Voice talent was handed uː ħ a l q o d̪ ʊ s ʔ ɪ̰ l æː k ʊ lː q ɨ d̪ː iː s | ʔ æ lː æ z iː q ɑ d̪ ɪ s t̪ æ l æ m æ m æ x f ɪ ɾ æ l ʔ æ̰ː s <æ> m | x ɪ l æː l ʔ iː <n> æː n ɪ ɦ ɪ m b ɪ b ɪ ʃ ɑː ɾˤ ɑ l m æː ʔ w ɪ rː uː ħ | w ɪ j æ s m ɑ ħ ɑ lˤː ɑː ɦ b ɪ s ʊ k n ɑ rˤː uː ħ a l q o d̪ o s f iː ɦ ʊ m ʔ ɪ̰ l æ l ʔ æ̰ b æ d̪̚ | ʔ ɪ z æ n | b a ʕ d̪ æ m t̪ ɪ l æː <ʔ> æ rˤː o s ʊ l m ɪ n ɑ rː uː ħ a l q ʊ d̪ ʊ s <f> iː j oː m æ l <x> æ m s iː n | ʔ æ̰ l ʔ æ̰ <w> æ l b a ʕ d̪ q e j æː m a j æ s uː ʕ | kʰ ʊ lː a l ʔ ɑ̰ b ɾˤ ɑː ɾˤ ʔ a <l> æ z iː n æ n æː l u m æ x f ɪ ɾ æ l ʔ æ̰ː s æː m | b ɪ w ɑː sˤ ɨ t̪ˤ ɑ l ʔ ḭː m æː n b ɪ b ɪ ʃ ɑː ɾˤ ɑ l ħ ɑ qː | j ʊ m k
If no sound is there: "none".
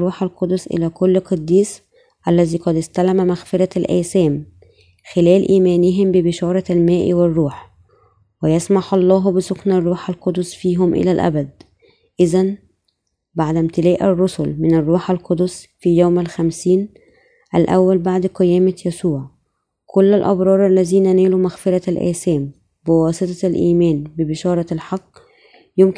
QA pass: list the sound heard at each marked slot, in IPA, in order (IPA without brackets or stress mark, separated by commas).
æː, m, ʔ, f, x, wː, lː